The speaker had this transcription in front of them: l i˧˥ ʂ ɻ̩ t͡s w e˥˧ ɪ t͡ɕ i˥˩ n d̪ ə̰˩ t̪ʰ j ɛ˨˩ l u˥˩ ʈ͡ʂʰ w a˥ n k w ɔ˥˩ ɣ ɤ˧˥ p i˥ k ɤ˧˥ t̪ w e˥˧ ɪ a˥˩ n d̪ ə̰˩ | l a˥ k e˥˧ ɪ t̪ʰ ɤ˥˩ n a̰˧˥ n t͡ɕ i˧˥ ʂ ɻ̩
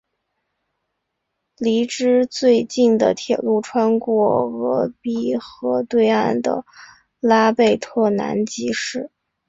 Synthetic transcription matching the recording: l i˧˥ ʈ͡ʂ ɻ̩ t͡s w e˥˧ ɪ t͡ɕ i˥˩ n d̪ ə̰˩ t̪ʰ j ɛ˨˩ l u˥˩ ʈ͡ʂʰ w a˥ n k w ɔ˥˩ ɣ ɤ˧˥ p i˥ x ɤ˧˥ t̪ w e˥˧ ɪ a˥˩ n d̪ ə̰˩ | l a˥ p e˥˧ ɪ t̪ʰ ɤ˥˩ n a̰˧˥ n t͡ɕ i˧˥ ʂ ɻ̩